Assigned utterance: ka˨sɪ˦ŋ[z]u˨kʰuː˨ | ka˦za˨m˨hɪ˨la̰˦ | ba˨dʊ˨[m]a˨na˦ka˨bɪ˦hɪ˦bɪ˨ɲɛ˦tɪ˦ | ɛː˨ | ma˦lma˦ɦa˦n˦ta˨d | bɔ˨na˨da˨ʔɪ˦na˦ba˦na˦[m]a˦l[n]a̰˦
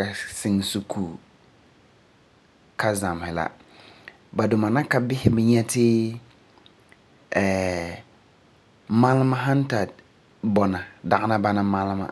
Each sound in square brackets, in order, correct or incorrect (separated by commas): incorrect, correct, correct, incorrect